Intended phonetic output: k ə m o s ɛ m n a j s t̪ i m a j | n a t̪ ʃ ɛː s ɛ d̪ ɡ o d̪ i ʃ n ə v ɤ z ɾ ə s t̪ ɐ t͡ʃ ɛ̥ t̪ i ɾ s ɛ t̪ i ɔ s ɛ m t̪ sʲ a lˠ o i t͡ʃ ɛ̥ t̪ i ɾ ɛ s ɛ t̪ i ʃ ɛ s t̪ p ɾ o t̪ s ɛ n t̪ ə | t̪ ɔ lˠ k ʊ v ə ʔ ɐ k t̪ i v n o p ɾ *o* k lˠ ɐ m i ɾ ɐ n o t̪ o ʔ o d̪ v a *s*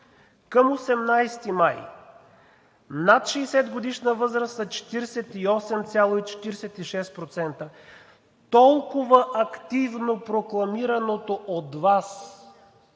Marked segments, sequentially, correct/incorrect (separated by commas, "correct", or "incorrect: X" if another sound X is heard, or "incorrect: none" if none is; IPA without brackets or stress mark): correct, correct